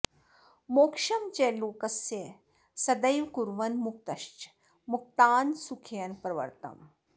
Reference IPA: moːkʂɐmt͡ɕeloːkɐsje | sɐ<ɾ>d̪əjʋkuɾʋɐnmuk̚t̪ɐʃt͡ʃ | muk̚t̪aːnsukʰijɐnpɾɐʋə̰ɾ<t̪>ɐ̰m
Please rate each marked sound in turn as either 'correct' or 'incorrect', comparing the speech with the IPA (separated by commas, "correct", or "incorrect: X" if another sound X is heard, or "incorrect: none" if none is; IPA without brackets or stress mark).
incorrect: none, correct